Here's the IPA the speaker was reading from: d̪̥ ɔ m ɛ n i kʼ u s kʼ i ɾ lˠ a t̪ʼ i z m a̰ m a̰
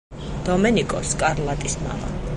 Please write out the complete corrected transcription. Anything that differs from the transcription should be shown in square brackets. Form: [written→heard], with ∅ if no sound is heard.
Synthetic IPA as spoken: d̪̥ ɔ m ɛ n i kʼ [u→ɔ] s kʼ [i→a] ɾ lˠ a t̪ʼ i [z→s] m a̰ m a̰